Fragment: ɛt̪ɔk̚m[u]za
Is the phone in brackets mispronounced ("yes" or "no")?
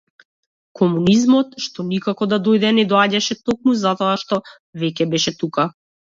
no